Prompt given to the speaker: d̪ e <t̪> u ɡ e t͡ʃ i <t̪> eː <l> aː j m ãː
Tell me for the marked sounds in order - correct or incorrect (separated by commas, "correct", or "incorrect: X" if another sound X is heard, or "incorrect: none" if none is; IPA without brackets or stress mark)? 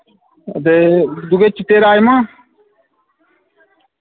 incorrect: d̪, correct, incorrect: ɾ